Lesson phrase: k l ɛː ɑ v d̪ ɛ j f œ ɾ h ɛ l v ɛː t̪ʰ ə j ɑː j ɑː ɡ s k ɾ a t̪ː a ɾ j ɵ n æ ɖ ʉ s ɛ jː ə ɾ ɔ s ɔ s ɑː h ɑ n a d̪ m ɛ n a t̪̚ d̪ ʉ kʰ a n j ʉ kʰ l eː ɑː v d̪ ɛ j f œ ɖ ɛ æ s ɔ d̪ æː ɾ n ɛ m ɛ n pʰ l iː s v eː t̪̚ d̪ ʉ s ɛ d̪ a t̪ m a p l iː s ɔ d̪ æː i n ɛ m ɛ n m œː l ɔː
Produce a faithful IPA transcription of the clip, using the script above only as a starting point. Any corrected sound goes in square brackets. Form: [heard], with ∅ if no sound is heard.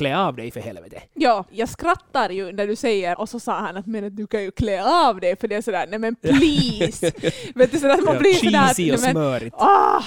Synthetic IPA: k l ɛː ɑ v d̪ ɛ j f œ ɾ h ɛ l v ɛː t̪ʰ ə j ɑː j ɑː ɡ s k ɾ a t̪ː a ɾ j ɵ n æ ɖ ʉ s ɛ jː ə ɾ ɔ s ɔ s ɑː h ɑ n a [t̪] m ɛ n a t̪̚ d̪ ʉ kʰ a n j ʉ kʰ l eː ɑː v d̪ ɛ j f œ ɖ ɛ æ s ɔ d̪ æː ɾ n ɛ m ɛ n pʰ l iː s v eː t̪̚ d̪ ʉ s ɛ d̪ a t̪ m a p l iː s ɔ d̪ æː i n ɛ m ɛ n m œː [ɾ] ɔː